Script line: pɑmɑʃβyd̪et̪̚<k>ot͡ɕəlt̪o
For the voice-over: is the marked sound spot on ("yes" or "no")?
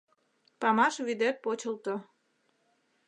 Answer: no